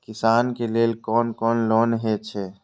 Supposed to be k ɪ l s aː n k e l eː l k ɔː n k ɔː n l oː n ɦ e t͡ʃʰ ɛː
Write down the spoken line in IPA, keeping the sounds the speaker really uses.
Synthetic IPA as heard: k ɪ s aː n k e l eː l k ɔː n k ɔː n l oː n ɦ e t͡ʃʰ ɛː